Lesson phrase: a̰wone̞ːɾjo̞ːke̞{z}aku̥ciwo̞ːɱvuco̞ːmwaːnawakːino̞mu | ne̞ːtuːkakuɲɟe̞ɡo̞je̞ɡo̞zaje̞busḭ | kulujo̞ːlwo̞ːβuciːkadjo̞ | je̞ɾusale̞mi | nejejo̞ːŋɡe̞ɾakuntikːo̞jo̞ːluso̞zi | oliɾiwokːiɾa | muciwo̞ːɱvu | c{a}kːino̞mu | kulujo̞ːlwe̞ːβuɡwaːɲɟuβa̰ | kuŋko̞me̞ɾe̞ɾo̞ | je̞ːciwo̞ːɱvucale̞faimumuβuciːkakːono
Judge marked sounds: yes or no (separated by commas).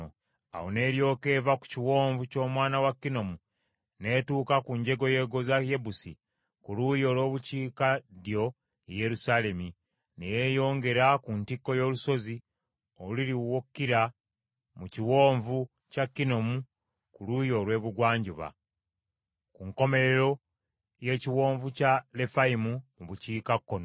no, yes